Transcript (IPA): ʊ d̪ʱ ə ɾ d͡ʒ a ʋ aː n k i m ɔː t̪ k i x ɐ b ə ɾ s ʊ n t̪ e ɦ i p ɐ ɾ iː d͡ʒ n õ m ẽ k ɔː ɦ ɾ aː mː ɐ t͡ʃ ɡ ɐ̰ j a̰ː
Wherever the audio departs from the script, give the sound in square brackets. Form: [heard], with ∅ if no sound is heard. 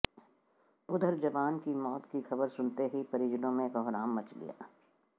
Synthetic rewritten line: ʊ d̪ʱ ə ɾ d͡ʒ [ɐ] ʋ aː n k i m ɔː t̪ k i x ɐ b ə ɾ s ʊ n t̪ e ɦ i p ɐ ɾ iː d͡ʒ n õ m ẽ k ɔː ɦ ɾ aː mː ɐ t͡ʃ ɡ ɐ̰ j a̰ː